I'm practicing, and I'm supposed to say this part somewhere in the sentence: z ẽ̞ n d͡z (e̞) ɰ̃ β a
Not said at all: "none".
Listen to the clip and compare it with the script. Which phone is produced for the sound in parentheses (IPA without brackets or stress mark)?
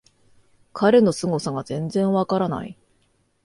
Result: ẽ̞